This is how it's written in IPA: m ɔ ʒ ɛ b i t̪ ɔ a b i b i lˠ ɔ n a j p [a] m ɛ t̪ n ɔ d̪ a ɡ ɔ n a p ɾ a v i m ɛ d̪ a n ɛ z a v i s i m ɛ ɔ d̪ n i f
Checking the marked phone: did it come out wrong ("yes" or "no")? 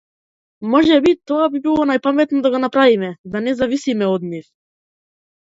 no